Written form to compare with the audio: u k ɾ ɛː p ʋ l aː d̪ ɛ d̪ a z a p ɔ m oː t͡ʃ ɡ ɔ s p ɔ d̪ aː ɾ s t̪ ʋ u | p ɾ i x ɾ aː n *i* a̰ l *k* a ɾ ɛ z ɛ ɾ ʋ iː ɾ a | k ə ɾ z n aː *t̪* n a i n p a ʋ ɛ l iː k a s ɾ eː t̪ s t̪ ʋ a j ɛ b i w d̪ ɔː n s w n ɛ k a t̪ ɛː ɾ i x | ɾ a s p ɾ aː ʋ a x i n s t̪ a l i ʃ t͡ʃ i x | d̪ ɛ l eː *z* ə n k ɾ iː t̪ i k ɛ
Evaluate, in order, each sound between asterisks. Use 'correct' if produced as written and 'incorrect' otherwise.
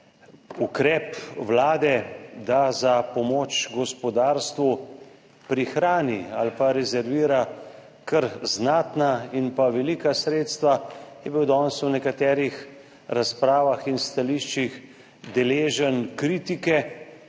correct, incorrect, correct, incorrect

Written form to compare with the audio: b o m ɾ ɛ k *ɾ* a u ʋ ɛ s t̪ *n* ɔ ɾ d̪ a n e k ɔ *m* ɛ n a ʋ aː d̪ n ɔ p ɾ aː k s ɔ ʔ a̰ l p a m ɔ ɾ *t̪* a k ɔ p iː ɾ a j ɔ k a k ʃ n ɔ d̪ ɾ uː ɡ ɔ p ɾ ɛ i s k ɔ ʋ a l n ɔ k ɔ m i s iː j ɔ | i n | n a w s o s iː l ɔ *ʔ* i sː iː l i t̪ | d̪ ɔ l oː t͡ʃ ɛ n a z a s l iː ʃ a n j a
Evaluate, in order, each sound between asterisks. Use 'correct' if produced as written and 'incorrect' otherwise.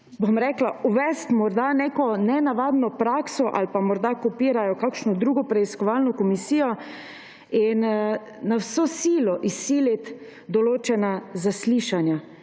incorrect, incorrect, incorrect, incorrect, correct

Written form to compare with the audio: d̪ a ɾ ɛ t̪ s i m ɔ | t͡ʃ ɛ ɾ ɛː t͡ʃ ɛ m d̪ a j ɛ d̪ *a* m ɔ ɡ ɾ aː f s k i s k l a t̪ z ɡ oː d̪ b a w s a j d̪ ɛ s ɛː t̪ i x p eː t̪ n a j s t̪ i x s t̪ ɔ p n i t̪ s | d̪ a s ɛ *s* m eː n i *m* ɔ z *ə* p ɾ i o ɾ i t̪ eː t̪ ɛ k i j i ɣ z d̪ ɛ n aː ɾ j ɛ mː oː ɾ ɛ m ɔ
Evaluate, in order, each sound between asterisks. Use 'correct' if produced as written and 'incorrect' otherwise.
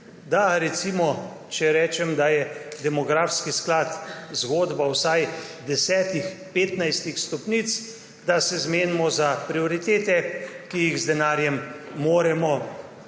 incorrect, incorrect, correct, incorrect

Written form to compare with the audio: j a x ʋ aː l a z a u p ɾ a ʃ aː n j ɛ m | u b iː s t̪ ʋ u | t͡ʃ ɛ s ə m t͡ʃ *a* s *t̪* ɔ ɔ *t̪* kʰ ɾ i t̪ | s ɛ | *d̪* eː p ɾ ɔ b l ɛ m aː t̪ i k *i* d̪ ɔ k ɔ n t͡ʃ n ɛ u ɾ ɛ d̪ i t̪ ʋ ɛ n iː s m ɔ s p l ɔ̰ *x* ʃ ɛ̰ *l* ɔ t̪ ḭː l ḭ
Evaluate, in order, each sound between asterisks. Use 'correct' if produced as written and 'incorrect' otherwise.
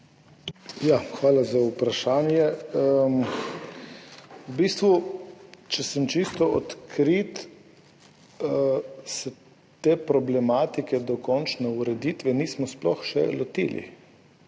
incorrect, correct, correct, incorrect, incorrect, correct, correct

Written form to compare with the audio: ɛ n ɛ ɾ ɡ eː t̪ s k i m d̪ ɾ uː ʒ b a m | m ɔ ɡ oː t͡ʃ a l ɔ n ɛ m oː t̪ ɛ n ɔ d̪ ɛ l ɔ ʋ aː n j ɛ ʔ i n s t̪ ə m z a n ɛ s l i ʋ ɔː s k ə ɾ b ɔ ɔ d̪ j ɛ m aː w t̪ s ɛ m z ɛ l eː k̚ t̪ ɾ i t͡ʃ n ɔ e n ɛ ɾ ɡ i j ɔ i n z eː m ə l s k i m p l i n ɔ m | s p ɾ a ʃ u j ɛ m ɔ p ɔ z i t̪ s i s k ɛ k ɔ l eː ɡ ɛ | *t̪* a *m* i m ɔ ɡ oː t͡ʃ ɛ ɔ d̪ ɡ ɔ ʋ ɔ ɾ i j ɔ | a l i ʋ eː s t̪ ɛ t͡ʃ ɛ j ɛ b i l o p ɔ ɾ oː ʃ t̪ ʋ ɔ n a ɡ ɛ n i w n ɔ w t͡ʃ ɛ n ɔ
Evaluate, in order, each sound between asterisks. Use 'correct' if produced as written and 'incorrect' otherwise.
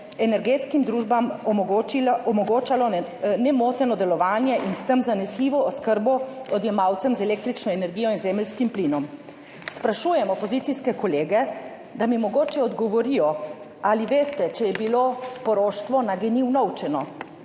incorrect, correct

